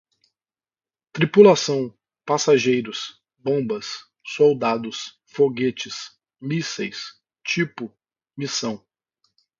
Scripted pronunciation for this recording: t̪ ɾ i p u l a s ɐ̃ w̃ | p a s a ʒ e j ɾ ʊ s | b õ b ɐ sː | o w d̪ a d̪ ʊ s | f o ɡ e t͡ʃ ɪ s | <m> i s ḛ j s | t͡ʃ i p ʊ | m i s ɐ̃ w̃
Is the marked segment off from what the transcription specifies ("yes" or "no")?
no